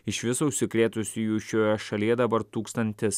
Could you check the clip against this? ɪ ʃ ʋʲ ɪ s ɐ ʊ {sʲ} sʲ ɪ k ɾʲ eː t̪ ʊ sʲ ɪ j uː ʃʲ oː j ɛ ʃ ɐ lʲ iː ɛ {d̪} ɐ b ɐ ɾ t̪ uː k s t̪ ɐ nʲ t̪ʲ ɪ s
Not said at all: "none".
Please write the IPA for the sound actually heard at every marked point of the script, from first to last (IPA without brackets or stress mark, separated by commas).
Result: ʃʲ, d̪